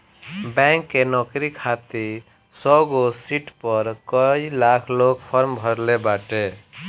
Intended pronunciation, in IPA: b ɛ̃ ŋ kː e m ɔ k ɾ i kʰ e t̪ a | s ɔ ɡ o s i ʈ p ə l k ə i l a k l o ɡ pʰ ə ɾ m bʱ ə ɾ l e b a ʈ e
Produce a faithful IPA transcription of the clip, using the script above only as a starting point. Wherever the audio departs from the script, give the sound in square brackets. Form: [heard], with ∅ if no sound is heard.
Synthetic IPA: b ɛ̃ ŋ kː e [n] ɔ k ɾ i kʰ [a] t̪ [i] | s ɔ ɡ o s i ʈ p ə [ɾ] k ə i l a [kʰ] l o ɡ pʰ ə ɾ m bʱ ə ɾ l e b a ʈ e